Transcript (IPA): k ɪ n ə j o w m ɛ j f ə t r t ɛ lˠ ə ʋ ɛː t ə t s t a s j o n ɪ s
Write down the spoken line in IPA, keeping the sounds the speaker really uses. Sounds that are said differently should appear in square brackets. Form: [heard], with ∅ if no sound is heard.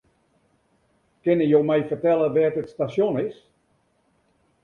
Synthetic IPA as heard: k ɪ n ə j o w m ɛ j f ə [∅] r t ɛ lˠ ə ʋ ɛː t ə t s t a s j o n ɪ s